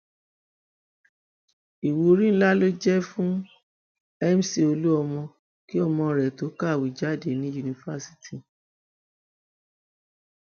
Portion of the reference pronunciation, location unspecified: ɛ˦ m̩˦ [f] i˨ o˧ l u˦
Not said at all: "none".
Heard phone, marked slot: s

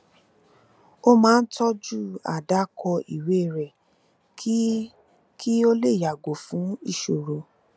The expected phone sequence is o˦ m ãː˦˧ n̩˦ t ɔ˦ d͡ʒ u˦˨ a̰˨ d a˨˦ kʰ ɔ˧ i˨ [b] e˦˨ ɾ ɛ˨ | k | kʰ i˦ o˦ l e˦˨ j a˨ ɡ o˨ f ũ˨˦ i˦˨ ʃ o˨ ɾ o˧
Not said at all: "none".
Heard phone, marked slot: w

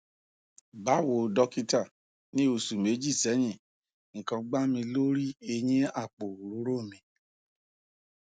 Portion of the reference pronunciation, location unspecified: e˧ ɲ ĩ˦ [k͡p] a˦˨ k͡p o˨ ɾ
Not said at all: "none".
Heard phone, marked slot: none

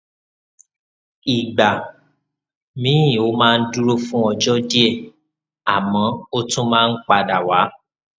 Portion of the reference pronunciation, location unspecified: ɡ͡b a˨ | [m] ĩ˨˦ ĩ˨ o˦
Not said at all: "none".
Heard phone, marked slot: m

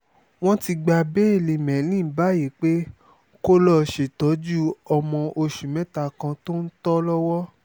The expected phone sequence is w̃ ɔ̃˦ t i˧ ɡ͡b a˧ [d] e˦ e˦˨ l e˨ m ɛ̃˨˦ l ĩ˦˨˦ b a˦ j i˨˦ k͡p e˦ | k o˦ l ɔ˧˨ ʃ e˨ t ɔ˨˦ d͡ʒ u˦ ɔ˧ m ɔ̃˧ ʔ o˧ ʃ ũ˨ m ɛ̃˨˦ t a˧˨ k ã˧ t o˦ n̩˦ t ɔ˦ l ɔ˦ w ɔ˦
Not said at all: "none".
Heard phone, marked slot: b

